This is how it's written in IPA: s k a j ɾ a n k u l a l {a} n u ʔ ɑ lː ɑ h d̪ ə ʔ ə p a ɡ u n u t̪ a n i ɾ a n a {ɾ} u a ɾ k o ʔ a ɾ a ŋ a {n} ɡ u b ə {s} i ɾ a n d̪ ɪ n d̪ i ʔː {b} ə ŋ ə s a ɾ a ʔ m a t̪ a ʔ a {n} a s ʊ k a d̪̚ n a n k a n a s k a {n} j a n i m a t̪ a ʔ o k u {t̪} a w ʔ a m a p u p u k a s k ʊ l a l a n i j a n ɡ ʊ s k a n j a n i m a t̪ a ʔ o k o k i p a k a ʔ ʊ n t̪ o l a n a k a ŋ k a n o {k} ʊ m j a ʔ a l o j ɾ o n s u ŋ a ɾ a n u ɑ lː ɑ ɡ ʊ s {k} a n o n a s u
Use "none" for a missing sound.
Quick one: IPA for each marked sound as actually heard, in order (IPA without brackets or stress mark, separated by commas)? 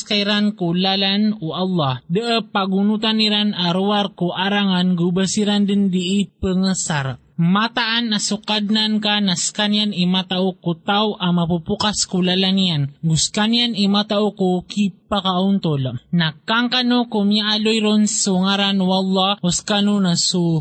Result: a, ɾ, n, s, p, n, n, t̪, k, k